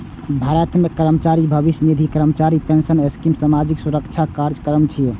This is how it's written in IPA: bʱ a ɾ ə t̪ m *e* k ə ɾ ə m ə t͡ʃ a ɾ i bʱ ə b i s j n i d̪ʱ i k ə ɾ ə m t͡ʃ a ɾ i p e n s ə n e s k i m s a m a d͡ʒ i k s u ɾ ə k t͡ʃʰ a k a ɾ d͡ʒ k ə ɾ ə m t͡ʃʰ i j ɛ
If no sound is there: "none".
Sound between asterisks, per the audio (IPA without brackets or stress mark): e